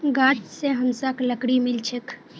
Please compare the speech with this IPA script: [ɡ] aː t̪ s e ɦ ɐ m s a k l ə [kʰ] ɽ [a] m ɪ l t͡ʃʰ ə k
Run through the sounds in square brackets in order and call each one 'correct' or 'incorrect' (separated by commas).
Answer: correct, incorrect, incorrect